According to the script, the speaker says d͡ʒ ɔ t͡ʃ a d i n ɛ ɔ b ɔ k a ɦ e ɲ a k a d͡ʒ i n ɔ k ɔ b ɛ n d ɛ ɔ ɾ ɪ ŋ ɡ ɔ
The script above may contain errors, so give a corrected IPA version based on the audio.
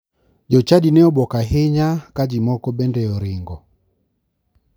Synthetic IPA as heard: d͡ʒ ɔ t͡ʃ a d i n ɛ ɔ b ɔ k a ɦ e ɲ a k a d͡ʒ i m ɔ k ɔ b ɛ n d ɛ ɔ ɾ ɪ ŋ ɡ ɔ